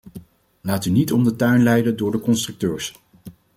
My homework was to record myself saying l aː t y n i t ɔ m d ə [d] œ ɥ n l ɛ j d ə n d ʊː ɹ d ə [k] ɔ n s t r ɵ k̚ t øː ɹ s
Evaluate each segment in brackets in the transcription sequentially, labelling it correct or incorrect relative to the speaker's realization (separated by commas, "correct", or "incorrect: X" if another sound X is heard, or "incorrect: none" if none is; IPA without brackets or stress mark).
incorrect: t, correct